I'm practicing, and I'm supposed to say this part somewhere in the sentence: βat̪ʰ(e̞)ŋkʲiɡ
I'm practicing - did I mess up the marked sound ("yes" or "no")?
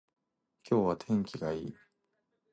yes